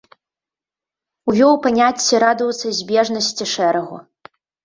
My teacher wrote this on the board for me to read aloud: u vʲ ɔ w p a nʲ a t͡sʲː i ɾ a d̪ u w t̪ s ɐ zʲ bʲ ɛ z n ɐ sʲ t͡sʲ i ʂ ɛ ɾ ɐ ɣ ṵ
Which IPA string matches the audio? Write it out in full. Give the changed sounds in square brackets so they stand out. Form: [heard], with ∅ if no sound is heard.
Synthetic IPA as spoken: u vʲ ɔ w p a nʲ a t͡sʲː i ɾ a d̪ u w t̪ s ɐ zʲ bʲ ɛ [ʐ] n ɐ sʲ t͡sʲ i ʂ ɛ ɾ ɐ ɣ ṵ